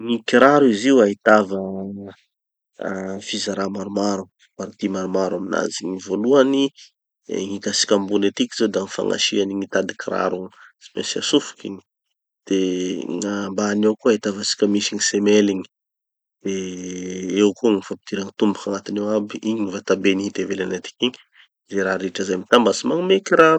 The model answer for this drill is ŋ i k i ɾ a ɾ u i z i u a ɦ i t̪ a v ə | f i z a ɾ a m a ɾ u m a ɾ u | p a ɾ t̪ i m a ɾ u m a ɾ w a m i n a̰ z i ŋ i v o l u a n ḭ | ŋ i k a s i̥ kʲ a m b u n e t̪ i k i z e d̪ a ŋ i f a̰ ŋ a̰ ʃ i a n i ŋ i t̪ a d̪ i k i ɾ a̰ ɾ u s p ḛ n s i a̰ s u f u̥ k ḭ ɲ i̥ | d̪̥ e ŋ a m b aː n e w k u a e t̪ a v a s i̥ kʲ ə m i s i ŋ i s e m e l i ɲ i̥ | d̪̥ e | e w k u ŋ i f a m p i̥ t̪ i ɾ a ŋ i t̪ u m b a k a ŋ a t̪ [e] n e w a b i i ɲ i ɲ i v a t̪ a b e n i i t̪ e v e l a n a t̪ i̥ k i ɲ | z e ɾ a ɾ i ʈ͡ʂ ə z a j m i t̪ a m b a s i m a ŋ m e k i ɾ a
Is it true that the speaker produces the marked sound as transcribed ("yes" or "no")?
no